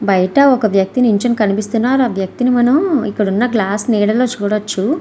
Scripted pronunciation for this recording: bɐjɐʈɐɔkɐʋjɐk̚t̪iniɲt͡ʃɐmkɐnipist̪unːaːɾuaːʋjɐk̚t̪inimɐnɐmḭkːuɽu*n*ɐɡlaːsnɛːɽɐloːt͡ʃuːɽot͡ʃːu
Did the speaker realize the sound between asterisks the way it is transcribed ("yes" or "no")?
no